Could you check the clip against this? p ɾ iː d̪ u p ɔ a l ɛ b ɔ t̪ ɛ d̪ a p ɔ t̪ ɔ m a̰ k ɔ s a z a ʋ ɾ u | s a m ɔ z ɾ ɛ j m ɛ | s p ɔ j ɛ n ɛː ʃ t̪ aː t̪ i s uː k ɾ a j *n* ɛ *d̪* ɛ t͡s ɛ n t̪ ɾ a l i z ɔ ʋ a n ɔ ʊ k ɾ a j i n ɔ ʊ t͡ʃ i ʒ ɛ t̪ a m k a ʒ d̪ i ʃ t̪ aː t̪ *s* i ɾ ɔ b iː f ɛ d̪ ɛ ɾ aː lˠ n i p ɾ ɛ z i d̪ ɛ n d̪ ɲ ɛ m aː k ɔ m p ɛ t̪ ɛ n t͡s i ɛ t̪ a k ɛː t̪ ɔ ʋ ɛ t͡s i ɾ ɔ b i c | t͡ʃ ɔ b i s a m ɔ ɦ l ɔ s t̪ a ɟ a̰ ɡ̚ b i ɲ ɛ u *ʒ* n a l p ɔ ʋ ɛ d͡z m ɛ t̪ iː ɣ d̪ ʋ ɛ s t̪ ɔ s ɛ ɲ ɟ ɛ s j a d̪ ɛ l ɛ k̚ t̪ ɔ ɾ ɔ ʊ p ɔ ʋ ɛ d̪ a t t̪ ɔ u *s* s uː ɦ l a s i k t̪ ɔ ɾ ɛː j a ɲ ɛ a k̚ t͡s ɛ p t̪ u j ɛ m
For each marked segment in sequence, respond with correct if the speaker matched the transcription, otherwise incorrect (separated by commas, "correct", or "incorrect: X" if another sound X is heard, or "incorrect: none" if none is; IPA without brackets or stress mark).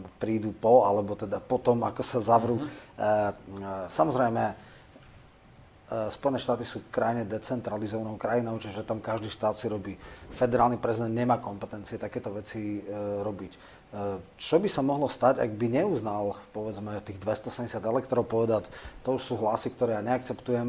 incorrect: ɲ, correct, correct, incorrect: z, incorrect: ʃ